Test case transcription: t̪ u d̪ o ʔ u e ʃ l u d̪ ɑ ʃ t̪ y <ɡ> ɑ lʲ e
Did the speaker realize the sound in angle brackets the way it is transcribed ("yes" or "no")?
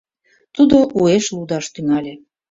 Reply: no